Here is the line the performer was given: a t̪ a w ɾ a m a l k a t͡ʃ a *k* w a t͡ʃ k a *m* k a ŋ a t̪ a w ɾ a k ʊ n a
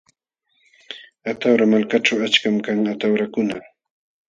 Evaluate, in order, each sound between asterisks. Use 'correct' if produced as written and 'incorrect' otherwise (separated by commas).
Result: incorrect, correct